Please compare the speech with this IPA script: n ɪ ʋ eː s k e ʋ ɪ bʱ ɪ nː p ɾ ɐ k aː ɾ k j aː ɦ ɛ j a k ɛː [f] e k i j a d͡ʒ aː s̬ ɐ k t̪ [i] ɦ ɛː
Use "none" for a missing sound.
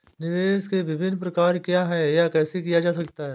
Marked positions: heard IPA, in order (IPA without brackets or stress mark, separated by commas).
s, a